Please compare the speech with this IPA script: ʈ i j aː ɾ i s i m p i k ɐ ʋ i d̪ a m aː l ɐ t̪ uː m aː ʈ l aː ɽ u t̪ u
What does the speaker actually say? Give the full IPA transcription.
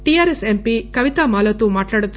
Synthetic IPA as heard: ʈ i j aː ɾ e s e m p i k ɐ ʋ i t̪ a m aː l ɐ t̪ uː m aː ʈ l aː ɽ u t̪ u